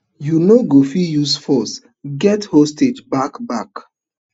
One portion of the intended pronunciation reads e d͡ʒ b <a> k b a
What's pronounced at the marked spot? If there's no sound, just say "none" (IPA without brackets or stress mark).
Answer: a